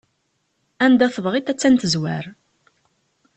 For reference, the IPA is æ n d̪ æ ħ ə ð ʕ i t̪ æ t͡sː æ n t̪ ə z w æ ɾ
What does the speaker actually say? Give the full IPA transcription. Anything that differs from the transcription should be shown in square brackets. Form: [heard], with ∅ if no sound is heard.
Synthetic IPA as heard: æ n d̪ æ [θ] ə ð [ʁ] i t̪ æ t͡sː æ n t̪ ə z w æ ɾ